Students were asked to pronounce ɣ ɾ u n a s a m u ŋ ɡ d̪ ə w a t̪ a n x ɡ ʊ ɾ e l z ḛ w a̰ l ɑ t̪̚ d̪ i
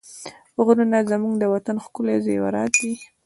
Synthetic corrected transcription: ɣ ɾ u n a z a m u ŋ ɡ d̪ ə w a t̪ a n x k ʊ l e z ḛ w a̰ ɾ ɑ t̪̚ d̪ i